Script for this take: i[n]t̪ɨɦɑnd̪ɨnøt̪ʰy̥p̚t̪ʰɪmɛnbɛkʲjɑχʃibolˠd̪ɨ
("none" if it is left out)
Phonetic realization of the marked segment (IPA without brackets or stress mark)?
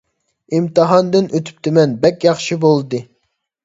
m